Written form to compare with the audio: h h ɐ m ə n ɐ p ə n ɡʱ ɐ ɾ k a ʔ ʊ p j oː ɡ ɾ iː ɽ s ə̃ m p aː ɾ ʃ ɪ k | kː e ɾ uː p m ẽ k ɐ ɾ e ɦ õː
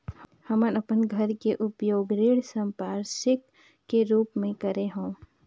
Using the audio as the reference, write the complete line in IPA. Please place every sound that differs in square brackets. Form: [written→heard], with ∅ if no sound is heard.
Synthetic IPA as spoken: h h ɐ m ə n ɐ p ə n ɡʱ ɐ ɾ k [a→e] ʔ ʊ p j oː ɡ ɾ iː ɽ s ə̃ m p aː ɾ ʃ ɪ k | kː e ɾ uː p m ẽ k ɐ ɾ e ɦ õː